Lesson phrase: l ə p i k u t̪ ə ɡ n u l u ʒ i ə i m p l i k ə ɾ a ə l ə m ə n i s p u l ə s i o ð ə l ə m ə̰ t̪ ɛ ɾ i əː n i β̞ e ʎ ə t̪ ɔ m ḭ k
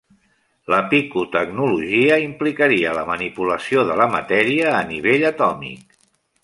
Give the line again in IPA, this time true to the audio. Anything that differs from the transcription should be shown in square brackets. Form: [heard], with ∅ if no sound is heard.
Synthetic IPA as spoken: l ə p i k u t̪ ə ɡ n u l u ʒ i ə i m p l i k ə ɾ [i] ə l ə m ə n i [∅] p u l ə s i o ð ə l ə m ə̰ t̪ ɛ ɾ i əː n i β̞ e ʎ ə t̪ ɔ m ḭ k